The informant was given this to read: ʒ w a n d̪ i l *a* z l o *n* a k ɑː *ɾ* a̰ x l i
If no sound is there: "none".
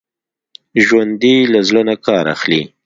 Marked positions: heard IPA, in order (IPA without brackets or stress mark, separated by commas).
a, n, ɾ